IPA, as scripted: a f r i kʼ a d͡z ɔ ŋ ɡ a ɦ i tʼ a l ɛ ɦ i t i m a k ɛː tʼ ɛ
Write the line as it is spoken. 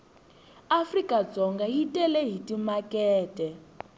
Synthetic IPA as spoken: a f r i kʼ a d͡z ɔ ŋ ɡ a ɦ i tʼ ɛ l ɛ ɦ i t i m a k ɛː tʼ ɛ